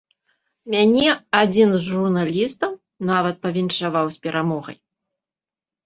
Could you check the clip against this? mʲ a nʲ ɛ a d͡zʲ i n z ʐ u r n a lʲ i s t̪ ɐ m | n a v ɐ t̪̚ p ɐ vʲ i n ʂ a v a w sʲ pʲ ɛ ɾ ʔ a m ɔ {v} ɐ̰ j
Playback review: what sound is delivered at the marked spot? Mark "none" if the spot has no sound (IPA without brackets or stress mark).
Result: ɣ